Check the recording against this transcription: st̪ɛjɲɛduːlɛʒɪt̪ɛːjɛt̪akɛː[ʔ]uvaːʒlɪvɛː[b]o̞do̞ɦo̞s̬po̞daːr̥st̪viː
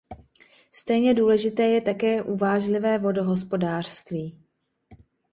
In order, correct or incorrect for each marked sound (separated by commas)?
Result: correct, incorrect